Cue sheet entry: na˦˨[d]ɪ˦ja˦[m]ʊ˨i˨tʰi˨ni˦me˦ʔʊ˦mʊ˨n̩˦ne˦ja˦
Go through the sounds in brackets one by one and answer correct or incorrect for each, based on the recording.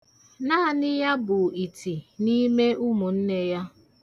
incorrect, incorrect

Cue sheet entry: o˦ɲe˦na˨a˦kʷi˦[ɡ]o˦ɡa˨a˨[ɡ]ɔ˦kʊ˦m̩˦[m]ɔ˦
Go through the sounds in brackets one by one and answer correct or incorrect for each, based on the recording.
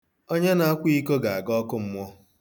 incorrect, correct, correct

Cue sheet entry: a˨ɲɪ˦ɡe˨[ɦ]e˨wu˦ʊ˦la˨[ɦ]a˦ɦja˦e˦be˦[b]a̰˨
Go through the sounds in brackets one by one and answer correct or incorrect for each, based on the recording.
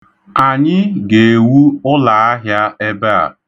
incorrect, incorrect, incorrect

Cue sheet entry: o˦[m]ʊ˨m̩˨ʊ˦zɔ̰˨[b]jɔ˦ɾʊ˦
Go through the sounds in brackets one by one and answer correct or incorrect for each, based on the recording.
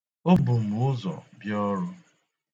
incorrect, correct

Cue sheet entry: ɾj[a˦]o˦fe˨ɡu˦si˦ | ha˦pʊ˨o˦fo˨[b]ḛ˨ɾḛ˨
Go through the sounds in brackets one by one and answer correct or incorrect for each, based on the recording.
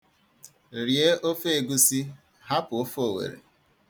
incorrect, incorrect

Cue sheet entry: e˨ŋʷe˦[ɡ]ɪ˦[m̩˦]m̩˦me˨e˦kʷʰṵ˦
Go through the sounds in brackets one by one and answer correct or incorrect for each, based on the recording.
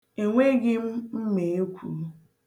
correct, correct

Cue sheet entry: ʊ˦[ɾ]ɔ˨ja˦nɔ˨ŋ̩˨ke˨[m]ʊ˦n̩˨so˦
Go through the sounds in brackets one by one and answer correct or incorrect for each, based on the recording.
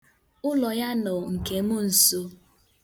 incorrect, correct

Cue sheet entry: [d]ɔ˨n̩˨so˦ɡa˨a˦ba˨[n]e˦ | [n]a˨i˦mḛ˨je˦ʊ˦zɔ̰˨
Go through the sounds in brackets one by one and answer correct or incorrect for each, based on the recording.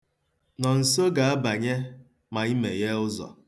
incorrect, incorrect, incorrect

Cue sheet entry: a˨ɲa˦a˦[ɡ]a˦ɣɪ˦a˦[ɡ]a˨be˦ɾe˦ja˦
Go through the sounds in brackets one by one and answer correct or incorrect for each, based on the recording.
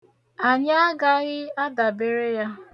correct, incorrect

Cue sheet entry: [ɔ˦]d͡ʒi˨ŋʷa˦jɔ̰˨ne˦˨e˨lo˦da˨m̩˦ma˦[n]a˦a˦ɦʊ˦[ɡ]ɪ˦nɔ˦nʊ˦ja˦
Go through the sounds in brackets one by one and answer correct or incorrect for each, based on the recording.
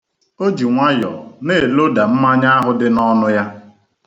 incorrect, incorrect, incorrect

